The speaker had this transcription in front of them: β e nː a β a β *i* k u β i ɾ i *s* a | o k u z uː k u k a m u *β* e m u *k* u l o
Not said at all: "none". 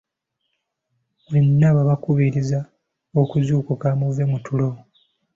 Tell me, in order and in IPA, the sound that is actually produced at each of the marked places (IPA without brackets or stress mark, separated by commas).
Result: a, z, v, t